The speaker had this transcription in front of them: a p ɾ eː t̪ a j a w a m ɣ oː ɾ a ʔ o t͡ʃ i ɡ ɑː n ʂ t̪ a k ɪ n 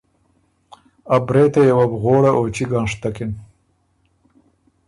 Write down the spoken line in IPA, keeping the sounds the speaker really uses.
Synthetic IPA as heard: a b ɾ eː t̪ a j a w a b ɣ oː ɽ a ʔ o t͡ʃ i ɡ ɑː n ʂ t̪ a k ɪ n